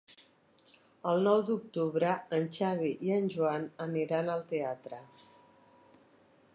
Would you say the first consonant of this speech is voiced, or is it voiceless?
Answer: voiced